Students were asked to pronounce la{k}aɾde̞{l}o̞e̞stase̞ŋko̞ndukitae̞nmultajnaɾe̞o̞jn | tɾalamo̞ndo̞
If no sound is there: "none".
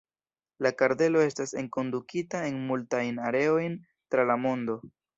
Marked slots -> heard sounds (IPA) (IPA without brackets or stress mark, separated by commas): k, l